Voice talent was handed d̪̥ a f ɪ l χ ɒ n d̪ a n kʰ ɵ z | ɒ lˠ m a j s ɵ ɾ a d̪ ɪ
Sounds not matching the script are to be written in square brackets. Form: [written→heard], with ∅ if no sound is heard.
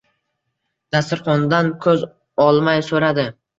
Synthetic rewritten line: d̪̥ a [f→s] ɪ [l→ɾ] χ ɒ n d̪ a n kʰ ɵ z | ɒ lˠ m a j s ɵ ɾ a d̪ ɪ